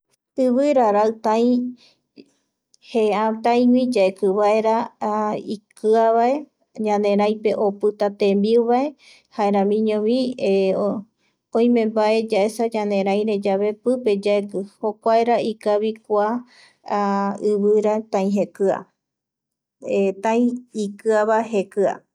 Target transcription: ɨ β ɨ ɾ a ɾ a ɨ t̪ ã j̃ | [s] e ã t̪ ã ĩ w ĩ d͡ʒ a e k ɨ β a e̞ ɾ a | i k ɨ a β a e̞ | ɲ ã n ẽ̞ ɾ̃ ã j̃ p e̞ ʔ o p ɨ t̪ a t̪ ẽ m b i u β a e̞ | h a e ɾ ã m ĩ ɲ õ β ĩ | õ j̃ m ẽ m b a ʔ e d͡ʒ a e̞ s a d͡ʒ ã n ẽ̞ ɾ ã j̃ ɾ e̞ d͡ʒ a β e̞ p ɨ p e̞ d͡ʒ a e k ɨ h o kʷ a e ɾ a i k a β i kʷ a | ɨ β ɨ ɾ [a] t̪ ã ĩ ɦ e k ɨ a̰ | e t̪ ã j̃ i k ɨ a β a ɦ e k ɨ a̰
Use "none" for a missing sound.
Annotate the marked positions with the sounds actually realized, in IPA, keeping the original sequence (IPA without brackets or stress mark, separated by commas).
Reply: h, a